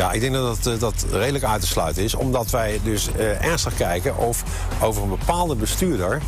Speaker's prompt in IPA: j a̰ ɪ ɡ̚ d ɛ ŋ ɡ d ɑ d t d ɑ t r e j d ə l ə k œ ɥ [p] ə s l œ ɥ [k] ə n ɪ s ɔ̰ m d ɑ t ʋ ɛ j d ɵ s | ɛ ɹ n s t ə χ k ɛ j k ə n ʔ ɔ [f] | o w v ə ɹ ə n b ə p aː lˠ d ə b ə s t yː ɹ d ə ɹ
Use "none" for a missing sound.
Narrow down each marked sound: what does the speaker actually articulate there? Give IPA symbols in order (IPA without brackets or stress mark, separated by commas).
t, t, f